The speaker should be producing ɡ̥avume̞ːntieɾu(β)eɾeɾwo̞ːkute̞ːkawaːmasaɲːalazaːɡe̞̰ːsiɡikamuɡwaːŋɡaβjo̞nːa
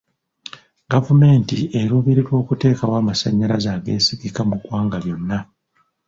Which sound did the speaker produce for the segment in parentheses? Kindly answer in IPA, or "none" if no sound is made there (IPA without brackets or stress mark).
β